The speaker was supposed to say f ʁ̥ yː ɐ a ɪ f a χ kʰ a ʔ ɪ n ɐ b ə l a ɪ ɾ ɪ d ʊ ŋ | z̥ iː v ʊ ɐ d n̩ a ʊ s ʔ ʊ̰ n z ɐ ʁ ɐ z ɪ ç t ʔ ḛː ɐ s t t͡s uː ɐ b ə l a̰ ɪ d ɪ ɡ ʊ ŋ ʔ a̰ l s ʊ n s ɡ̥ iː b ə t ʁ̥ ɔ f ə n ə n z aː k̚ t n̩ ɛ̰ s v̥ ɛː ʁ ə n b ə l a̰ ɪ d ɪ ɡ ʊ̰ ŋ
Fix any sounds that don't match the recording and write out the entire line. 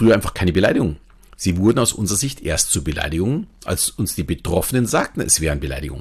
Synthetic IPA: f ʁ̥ yː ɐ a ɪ f a χ kʰ a ɪ n ə b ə l a ɪ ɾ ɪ ɡ ʊ ŋ | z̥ iː v ʊ ɐ d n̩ a ʊ s ʔ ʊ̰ n z ə ʁ ɐ z ɪ ç t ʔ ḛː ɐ s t t͡s uː ɐ b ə l a̰ ɪ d ɪ ɡ ʊ ŋ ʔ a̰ l s ʊ n s d̥ iː b ə t ʁ̥ ɔ f ə n ə n z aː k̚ t n̩ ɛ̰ s v̥ ɛː ʁ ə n b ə l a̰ ɪ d ɪ ɡ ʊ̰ ŋ